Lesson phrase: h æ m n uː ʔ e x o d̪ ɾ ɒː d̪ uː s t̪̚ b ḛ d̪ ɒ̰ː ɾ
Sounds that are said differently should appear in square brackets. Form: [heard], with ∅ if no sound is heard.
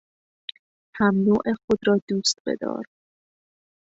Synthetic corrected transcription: h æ m n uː ʔ e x o d̪ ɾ ɒː d̪ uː s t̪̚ b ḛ d̪ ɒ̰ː ɾ